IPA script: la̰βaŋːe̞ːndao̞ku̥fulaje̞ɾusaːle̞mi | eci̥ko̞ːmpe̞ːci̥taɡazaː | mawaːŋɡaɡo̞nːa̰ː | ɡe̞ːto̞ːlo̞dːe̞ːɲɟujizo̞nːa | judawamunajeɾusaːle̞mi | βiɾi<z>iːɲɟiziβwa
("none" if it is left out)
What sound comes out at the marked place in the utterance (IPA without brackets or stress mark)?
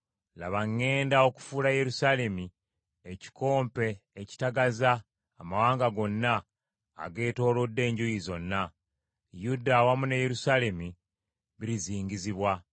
z